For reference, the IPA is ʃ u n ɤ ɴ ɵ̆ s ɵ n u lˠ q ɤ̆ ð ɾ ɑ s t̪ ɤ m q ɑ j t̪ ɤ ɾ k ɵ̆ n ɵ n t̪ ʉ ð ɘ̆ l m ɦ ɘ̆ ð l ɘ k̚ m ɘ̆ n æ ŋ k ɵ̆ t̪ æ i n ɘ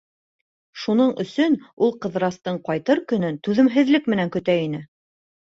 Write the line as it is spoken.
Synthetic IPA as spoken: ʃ u n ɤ ɴ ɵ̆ s ɵ n u lˠ q ɤ̆ ð ɾ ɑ s t̪ ɤ ɴ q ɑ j t̪ ɤ ɾ k ɵ̆ n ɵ n t̪ ʉ ð ɘ̆ m ɦ ɘ̆ ð l ɘ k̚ m ɘ̆ n æ ŋ k ɵ̆ t̪ æ i n ɘ